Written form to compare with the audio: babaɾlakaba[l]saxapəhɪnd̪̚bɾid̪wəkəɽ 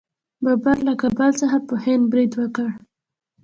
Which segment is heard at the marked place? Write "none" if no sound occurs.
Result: l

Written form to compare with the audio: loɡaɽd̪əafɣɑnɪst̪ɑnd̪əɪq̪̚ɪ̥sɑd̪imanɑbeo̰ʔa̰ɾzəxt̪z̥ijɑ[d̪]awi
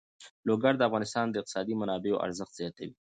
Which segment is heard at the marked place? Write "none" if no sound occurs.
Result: t̪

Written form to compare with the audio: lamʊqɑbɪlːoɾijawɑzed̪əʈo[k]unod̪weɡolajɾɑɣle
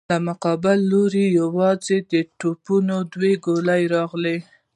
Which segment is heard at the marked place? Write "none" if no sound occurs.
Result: p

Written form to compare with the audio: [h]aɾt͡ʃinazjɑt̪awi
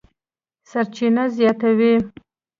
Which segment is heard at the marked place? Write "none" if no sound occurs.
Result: s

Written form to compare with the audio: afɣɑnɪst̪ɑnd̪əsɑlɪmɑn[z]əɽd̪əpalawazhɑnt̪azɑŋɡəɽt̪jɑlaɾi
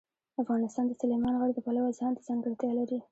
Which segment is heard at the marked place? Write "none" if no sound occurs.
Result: ɣ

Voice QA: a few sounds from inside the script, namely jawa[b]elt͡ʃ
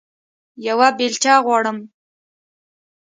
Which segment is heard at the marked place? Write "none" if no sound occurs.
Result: b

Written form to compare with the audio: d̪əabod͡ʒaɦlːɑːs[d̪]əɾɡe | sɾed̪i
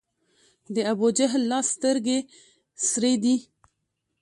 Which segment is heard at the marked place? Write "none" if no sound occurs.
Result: t̪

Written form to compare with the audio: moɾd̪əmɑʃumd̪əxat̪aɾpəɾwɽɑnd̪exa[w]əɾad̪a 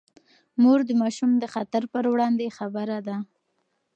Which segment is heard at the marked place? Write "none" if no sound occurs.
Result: b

